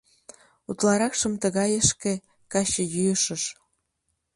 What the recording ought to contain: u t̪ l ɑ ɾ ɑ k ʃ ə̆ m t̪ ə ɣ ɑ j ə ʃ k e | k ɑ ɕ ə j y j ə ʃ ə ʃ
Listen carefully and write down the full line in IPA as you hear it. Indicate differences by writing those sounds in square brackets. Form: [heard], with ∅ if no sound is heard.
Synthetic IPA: u t̪ l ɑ ɾ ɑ k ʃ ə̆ m t̪ ə ɣ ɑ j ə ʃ k e | k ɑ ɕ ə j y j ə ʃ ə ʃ